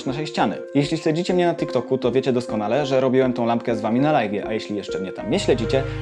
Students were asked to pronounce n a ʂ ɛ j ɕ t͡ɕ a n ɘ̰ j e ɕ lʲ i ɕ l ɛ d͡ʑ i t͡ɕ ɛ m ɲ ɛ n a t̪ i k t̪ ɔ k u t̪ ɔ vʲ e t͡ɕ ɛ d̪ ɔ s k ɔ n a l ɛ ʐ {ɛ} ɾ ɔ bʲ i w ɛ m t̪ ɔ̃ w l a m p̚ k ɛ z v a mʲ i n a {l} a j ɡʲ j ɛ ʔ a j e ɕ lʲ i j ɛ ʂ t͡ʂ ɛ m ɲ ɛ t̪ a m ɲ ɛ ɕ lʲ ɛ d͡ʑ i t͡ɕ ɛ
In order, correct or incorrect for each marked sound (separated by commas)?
correct, correct